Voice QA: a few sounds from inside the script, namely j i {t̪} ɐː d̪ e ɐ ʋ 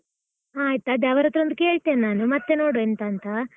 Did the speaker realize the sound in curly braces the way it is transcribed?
yes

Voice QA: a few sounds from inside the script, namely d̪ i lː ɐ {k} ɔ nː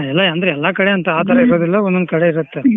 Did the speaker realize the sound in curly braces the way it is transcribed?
no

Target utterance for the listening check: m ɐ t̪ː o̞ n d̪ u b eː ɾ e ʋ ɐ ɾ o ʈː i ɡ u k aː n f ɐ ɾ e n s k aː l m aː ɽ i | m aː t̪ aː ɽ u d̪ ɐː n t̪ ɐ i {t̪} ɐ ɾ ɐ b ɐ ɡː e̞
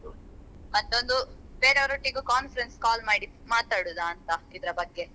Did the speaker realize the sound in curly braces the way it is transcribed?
no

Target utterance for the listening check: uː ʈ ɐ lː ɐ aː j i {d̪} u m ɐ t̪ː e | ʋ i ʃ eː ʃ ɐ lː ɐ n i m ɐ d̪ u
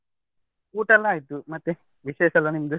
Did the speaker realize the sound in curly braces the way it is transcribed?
no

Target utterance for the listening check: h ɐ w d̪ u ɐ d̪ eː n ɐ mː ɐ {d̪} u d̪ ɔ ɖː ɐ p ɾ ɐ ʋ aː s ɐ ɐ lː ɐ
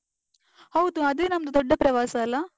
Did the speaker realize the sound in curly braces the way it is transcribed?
yes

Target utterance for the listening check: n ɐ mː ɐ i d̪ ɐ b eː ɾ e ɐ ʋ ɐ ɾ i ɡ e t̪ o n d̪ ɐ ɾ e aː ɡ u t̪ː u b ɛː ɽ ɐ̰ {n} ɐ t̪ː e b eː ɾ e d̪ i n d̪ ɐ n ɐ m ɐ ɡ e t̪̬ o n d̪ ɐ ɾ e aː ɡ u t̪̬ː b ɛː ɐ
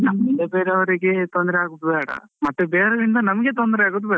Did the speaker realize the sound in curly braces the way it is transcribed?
no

